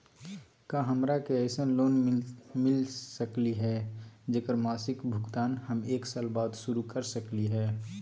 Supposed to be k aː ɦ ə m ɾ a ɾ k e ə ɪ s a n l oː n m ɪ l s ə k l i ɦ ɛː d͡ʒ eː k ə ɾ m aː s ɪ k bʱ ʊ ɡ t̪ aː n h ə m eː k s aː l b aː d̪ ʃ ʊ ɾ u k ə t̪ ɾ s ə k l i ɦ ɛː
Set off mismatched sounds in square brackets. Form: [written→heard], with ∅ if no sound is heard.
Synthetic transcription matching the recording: k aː ɦ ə m ɾ a [ɾ→∅] k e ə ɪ s [a→ə] n l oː n m ɪ l s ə k l i ɦ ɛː d͡ʒ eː k ə ɾ m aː s ɪ k bʱ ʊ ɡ t̪ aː n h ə m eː k s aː l b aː d̪ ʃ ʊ ɾ u k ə [t̪→∅] ɾ s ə k l i ɦ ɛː